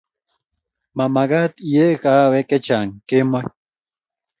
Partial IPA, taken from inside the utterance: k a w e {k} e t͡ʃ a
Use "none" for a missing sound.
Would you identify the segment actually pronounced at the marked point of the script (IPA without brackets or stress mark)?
k